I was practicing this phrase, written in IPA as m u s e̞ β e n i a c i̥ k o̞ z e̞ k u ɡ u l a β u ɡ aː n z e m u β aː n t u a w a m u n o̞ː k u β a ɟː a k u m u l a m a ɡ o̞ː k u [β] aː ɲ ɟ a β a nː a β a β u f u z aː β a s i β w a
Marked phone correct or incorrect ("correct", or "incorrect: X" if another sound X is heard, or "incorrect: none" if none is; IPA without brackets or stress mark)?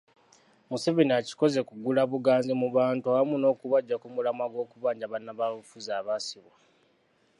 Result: correct